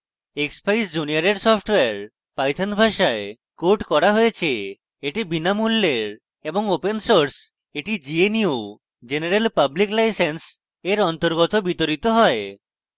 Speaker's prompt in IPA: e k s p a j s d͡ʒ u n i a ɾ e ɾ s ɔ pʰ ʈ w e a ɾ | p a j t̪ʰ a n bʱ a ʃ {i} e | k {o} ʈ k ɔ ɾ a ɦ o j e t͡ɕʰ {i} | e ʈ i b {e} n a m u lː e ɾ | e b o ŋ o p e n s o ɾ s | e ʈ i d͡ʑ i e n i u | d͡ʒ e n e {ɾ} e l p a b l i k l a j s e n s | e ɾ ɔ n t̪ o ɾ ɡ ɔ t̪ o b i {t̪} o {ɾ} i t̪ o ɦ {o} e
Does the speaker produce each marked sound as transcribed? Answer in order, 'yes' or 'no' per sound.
no, yes, no, no, yes, yes, yes, no

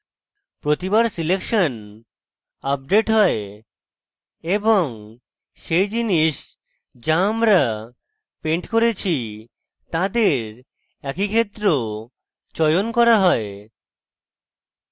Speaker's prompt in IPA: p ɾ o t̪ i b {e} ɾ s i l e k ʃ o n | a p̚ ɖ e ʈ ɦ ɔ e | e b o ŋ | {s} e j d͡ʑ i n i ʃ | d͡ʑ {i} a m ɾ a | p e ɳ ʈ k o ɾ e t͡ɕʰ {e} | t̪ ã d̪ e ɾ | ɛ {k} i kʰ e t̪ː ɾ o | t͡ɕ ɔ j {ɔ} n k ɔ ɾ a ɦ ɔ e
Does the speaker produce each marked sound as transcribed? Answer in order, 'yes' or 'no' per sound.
no, no, no, no, yes, no

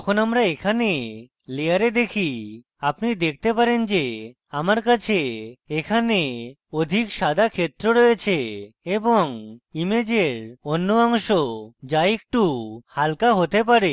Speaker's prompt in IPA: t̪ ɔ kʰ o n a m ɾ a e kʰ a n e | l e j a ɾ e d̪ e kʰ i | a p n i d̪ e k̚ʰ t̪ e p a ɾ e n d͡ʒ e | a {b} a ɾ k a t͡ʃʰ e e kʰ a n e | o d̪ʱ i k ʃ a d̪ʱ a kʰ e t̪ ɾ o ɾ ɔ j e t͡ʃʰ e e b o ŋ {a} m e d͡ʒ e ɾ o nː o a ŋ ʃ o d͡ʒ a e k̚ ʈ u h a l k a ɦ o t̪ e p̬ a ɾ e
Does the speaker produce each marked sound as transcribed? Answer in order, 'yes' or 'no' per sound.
no, no

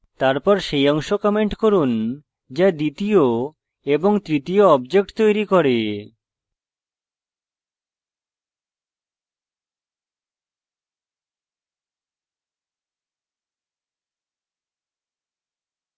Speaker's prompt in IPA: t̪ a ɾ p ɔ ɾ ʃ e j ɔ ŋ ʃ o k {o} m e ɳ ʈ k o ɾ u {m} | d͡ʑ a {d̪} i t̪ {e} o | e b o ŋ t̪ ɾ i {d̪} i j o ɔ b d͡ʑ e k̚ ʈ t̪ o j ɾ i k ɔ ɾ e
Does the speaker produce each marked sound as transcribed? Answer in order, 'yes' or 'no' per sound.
no, no, yes, no, no

